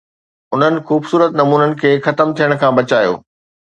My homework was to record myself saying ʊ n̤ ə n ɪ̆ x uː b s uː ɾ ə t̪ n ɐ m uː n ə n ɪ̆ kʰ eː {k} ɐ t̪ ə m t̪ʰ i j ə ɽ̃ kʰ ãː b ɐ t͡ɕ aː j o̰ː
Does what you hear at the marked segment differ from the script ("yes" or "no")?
yes